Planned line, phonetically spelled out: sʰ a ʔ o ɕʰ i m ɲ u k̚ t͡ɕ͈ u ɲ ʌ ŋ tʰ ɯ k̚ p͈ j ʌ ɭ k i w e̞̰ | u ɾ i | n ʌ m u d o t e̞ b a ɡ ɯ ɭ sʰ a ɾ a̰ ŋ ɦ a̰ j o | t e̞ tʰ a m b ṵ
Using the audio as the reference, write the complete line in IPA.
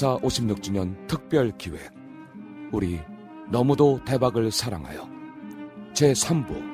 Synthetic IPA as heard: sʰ a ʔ o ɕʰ i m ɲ u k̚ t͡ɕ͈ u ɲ ʌ n tʰ ɯ k̚ p͈ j ʌ ɭ k i w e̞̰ | u ɾ i | n ʌ m u d o t e̞ b a ɡ ɯ ɭ sʰ a ɾ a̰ ŋ ɦ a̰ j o | t͡ɕ e̞ sʰ a m b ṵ